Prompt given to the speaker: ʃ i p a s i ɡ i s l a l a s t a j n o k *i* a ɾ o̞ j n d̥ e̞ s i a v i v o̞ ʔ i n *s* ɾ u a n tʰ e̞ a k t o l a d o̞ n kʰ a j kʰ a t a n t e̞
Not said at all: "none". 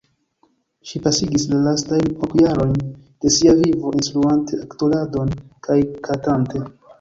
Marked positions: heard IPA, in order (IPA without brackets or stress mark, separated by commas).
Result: j, s